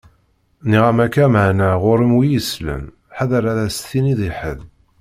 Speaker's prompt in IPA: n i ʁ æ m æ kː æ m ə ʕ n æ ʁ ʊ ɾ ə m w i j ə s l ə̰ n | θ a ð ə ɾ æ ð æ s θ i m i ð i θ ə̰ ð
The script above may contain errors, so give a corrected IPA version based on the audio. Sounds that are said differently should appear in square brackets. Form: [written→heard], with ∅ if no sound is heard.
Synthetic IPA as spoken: n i ʁ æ m æ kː æ m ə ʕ n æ ʁ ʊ ɾ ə m w i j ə s l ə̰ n | [θ→ħ] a ð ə ɾ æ ð æ s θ i [m→n] i ð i [θ→ħ] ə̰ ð